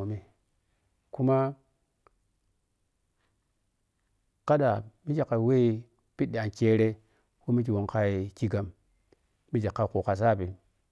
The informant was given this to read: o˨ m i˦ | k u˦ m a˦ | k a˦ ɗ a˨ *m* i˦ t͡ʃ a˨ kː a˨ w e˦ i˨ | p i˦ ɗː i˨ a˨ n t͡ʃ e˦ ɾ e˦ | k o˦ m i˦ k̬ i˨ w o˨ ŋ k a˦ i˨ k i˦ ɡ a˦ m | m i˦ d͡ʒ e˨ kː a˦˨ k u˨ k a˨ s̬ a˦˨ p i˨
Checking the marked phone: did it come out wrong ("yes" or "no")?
no